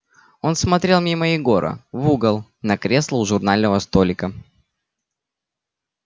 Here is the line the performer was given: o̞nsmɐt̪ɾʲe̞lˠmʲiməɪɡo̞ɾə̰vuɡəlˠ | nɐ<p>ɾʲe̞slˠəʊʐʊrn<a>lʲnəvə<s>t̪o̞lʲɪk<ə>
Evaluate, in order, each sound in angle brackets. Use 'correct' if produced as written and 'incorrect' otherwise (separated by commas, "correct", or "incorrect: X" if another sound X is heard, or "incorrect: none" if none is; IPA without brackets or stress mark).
incorrect: k, correct, correct, correct